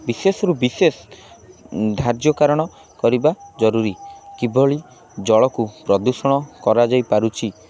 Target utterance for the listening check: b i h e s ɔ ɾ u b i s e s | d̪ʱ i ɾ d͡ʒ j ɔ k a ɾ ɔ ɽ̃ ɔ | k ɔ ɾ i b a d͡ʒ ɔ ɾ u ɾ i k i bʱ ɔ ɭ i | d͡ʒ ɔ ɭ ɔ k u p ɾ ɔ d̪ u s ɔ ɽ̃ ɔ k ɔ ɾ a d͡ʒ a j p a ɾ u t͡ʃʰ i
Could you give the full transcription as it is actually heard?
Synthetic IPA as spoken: b i s e s ɔ ɾ u b i s e s | d̪ʱ a ɾ d͡ʒ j ɔ k a ɾ ɔ ɽ̃ ɔ | k ɔ ɾ i b a d͡ʒ ɔ ɾ u ɾ i k i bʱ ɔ ɭ i | d͡ʒ ɔ ɭ ɔ k u p ɾ ɔ d̪ u s ɔ ɽ̃ ɔ k ɔ ɾ a d͡ʒ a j p a ɾ u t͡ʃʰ i